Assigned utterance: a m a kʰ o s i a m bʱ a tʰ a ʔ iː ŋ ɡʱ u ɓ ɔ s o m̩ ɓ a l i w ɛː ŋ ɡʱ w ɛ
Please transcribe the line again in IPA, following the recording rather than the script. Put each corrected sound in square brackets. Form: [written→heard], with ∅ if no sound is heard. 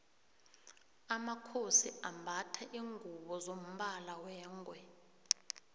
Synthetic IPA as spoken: a m a kʰ o s i a m bʱ a tʰ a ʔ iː ŋ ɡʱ u ɓ ɔ [s→z] o m̩ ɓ a l [i→a] w ɛː ŋ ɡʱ w ɛ